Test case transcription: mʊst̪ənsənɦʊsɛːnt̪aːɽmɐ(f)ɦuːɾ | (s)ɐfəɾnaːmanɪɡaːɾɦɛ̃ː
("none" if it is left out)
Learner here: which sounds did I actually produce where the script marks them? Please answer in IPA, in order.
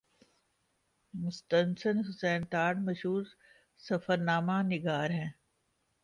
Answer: ʃ, s

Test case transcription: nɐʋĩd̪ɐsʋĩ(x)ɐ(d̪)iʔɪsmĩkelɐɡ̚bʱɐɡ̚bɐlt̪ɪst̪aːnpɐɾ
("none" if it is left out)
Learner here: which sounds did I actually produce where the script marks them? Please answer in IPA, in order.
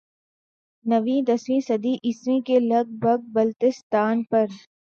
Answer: s, d̪

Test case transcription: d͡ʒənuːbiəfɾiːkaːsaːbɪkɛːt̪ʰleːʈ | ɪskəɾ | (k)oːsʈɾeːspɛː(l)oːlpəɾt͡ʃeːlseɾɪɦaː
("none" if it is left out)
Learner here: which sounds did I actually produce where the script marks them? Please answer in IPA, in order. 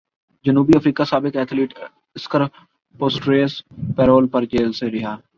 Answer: p, ɾ

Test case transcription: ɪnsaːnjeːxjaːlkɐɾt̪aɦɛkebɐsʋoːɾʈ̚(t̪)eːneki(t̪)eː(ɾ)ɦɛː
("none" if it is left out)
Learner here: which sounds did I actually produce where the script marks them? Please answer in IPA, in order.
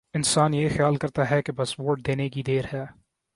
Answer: d̪, d̪, ɾ

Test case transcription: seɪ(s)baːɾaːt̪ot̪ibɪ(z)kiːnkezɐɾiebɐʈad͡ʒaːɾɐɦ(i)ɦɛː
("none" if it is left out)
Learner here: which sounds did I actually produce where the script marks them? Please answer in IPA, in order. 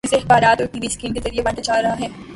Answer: x, s, a

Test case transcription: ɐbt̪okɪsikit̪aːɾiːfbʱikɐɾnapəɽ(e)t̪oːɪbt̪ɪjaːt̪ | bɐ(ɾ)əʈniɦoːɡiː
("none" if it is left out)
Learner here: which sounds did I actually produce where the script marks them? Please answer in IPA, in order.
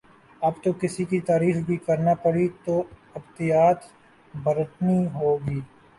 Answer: i, ɾ

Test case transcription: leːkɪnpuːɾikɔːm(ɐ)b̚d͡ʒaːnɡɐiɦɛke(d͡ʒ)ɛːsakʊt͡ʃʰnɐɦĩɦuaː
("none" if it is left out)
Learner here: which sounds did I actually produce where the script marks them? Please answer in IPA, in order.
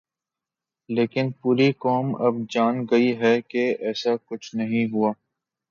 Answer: ɐ, none

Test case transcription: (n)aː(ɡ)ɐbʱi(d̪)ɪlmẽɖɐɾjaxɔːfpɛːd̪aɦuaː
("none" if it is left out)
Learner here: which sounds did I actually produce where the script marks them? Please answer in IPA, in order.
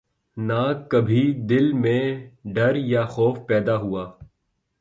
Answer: n, k, d̪

